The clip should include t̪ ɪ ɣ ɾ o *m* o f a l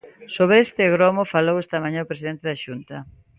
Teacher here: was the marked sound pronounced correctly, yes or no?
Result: yes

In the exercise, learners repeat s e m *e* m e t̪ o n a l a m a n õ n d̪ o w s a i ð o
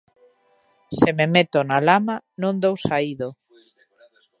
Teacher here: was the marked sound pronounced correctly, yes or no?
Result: yes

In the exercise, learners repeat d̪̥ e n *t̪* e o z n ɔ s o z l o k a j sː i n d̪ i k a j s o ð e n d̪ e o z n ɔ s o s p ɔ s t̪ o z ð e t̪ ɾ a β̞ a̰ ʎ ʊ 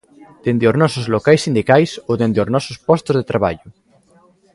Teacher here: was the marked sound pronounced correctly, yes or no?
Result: no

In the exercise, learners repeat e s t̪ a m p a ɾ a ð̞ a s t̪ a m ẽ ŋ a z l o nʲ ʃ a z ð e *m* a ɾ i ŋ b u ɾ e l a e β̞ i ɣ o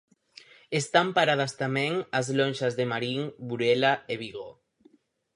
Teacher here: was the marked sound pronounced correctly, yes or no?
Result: yes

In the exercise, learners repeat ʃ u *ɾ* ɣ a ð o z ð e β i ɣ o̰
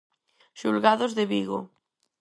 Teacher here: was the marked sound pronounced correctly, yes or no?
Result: no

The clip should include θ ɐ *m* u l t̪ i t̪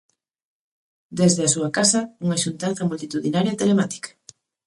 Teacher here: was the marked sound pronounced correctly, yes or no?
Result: yes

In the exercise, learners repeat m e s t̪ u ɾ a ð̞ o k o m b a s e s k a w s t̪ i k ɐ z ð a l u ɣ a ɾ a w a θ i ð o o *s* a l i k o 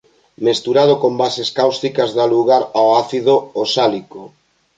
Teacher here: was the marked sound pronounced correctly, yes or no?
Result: yes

